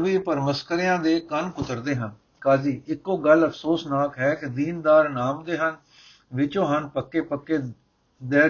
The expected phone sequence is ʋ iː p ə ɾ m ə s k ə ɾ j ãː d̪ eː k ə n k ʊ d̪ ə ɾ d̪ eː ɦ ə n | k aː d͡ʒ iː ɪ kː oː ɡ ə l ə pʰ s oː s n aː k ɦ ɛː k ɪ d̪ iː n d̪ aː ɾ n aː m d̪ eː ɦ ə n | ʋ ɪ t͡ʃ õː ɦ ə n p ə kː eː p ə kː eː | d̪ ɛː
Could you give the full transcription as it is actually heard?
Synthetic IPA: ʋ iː p ə ɾ m ə s k ə ɾ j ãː d̪ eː k ə n k ʊ t̪ ə ɾ d̪ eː ɦ ə n | k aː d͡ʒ iː ɪ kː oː ɡ ə l ə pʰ s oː s n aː k ɦ ɛː k ɪ d̪ iː n d̪ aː ɾ n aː m d̪ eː ɦ ə n | ʋ ɪ t͡ʃ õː ɦ ə n p ə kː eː p ə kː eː | d̪ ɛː